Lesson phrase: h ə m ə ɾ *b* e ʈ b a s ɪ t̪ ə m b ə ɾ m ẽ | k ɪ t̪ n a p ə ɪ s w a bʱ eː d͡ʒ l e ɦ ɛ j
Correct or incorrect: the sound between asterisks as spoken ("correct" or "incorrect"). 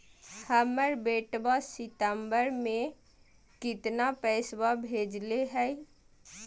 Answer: correct